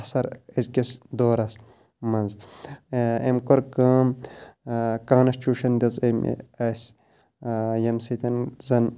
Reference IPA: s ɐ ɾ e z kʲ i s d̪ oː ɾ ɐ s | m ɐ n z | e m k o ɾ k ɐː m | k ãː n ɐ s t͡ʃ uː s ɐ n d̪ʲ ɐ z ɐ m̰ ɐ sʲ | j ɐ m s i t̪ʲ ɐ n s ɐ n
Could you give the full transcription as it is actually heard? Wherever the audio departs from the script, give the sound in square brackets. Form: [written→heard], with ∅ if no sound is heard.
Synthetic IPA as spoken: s ɐ ɾ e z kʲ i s d̪ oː ɾ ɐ s | m ɐ n z | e m k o ɾ k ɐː m | k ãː n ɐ s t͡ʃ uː [s→ʃ] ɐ n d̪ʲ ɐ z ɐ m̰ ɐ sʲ | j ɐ m s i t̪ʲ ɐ n [s→z] ɐ n